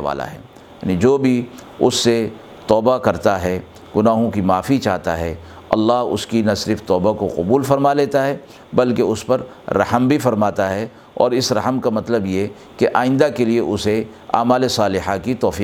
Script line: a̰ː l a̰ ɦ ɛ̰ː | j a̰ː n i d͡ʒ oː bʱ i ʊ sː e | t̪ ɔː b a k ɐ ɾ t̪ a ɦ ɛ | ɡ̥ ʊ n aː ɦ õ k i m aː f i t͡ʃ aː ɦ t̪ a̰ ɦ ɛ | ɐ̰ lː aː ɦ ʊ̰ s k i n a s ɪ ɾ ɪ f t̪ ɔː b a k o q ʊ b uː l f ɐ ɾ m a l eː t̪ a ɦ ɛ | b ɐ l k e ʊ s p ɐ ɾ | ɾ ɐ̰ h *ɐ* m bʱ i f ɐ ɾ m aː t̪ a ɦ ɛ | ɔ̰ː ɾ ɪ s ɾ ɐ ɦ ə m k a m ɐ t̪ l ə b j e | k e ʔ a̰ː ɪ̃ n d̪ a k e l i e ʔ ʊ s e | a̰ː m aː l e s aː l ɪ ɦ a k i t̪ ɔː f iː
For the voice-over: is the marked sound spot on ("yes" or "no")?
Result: no